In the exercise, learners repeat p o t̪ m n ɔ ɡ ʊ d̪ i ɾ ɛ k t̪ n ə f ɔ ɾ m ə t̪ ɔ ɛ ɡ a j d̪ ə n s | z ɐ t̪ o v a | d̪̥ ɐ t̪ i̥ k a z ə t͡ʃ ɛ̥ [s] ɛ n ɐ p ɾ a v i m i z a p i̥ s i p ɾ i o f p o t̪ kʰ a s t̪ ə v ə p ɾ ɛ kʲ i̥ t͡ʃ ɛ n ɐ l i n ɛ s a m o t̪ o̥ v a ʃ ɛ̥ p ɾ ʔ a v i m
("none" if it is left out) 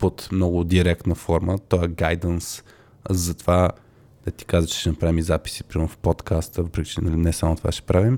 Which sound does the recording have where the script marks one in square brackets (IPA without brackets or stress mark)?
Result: ʃ